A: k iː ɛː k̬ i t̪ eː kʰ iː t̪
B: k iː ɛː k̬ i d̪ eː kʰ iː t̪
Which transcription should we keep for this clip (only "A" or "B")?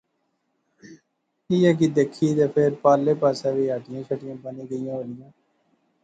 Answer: B